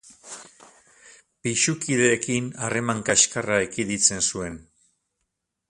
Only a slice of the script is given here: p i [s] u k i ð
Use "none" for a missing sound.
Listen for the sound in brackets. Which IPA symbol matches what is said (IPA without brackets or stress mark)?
ʃ